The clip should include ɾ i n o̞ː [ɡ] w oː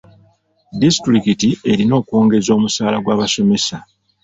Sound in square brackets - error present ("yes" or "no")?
yes